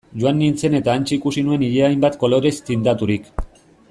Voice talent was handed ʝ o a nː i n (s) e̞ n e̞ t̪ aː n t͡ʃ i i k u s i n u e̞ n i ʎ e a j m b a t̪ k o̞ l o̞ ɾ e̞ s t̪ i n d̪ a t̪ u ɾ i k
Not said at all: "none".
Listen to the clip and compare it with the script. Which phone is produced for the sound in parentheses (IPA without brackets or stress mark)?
t͡s